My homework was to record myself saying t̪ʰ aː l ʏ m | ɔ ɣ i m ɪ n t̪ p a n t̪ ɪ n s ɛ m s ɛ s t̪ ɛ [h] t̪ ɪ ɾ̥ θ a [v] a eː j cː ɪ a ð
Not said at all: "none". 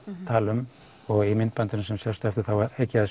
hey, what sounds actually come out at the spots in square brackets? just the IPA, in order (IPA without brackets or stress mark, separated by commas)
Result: f, w